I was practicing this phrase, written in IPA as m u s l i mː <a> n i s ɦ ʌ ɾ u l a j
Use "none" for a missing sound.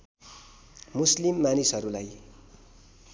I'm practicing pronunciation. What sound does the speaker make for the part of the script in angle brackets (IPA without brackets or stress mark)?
a